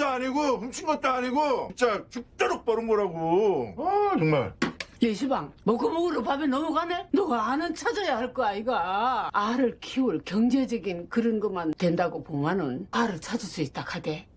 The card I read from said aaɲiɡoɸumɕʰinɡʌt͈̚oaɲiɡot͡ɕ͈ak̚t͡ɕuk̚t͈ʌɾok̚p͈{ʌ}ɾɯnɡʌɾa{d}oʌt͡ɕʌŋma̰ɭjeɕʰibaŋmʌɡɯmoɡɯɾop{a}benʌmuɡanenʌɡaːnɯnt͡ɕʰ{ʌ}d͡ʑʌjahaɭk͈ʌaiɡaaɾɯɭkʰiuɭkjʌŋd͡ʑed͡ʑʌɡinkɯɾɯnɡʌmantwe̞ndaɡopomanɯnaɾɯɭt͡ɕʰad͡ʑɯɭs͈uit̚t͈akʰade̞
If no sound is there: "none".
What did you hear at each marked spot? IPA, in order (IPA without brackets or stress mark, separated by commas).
ʌ, ɡ, a, a